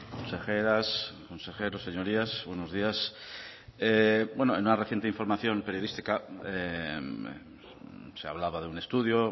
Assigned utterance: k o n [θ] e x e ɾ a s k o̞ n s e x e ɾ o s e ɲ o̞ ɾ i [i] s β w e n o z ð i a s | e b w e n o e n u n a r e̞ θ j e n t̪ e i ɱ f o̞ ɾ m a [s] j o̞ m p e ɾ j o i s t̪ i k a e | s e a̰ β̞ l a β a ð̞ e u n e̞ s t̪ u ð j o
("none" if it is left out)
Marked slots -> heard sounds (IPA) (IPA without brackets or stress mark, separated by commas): s, a, θ